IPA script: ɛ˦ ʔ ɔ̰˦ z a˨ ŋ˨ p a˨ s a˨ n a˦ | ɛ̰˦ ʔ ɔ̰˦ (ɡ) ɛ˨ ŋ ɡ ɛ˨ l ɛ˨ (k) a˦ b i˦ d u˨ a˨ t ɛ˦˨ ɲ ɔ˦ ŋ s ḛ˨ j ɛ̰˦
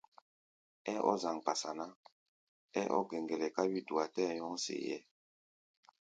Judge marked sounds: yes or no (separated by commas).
yes, yes